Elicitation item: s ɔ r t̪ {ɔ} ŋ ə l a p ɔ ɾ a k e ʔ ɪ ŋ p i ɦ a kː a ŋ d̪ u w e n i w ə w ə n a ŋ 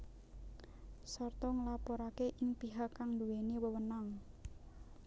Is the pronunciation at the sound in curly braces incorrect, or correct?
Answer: correct